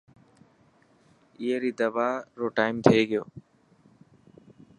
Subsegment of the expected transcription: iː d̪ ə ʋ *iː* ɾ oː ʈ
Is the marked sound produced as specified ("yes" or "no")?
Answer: no